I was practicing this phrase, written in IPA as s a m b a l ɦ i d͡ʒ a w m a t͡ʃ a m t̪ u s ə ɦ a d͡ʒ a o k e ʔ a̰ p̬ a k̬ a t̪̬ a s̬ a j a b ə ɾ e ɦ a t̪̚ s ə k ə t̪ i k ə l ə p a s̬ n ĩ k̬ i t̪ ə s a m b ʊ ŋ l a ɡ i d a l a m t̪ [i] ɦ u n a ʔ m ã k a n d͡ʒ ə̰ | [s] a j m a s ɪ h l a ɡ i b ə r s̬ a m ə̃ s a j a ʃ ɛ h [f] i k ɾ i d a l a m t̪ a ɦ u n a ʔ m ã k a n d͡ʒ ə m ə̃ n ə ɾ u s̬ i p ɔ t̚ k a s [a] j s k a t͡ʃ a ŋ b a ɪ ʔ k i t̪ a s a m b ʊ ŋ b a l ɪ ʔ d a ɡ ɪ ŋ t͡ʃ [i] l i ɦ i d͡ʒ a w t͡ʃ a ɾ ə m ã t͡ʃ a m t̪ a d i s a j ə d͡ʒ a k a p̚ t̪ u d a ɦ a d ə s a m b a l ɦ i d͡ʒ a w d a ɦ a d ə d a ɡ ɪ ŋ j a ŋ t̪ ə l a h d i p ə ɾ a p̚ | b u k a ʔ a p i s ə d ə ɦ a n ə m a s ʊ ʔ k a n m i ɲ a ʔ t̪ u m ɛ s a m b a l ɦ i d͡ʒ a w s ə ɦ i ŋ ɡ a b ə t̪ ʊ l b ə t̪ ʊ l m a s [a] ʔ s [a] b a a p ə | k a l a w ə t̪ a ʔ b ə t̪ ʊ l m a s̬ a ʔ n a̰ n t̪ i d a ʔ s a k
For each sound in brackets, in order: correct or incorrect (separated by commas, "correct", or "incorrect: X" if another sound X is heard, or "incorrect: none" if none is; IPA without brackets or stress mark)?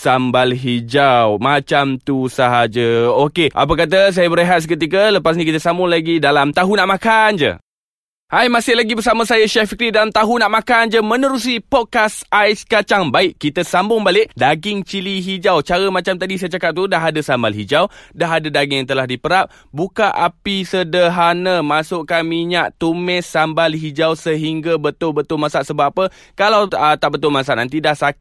incorrect: a, incorrect: h, correct, correct, correct, correct, incorrect: ə